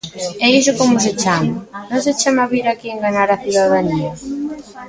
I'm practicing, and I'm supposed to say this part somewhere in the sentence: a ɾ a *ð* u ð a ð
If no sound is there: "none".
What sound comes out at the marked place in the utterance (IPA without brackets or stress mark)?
θ